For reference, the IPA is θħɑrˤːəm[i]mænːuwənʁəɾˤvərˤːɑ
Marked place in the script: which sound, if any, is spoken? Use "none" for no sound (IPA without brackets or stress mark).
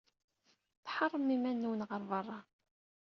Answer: i